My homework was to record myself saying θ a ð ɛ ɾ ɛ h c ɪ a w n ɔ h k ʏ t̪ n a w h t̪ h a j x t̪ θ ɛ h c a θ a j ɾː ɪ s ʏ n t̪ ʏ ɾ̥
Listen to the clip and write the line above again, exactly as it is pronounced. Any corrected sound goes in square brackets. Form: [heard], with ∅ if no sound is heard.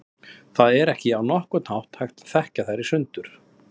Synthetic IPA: θ a ð ɛ ɾ ɛ h c ɪ a w n ɔ h k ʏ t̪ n a w h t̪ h a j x t̪ θ ɛ h c a θ a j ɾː ɪ s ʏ n t̪ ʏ ɾ̥